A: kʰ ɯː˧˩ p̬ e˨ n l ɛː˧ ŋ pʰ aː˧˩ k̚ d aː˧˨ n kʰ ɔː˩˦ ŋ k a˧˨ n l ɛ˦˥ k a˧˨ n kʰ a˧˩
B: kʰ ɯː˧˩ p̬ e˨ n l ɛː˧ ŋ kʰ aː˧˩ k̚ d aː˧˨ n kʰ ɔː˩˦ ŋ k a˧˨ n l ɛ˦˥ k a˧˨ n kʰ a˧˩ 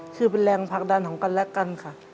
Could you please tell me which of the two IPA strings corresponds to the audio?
A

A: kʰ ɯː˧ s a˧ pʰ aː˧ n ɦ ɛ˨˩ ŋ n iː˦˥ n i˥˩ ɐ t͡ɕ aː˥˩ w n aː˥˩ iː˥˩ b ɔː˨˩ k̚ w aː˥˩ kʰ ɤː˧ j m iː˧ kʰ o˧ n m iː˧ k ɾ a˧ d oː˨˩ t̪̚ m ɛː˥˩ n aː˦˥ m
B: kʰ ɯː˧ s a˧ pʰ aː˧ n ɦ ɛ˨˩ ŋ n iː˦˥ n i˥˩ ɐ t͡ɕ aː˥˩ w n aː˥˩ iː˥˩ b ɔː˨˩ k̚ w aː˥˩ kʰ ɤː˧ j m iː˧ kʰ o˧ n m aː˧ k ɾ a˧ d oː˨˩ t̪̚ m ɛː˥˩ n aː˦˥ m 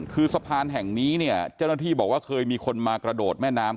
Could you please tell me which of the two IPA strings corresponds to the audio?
B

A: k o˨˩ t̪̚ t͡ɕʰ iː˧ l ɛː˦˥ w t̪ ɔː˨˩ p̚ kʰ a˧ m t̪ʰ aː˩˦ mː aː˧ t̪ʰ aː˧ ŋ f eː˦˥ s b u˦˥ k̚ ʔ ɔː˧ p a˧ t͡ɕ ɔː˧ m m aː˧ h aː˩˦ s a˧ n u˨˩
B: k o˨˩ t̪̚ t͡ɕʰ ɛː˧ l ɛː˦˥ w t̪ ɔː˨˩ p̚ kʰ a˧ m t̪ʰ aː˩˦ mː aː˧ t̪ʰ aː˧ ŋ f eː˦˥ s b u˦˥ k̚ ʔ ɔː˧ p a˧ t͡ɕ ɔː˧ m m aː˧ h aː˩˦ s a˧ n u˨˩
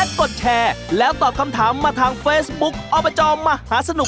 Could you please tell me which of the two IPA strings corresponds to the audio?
B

